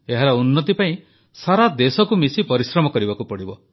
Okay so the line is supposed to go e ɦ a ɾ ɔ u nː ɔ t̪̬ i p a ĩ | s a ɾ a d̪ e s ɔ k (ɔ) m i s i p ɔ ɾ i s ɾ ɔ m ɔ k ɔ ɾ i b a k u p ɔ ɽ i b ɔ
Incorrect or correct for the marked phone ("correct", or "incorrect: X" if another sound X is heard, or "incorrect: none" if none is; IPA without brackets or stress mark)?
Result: incorrect: u